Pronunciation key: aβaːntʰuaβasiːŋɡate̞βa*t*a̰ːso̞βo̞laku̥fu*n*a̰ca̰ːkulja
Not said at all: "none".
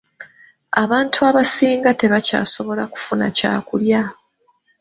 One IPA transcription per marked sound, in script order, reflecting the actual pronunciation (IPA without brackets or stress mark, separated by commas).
c, n